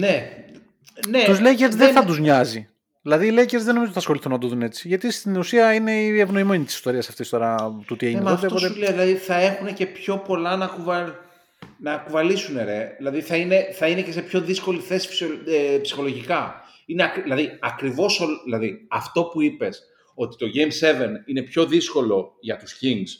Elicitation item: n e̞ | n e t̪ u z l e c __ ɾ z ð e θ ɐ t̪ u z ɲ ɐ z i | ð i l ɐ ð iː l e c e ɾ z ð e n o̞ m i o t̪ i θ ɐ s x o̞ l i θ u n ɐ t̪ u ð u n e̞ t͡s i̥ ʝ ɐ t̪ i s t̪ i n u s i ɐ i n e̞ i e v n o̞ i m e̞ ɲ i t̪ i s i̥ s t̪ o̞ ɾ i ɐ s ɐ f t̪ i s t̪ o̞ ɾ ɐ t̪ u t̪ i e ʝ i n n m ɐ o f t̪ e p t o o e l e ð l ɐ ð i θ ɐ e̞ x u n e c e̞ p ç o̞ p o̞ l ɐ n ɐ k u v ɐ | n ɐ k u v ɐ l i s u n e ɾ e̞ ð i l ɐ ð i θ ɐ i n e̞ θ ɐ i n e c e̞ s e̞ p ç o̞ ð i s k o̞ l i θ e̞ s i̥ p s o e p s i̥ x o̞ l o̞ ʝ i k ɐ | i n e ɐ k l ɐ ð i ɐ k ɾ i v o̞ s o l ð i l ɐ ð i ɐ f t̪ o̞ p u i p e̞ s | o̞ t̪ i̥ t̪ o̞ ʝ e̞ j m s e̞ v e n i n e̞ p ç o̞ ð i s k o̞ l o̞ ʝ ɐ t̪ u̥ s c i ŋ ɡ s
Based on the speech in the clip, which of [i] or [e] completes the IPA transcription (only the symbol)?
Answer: e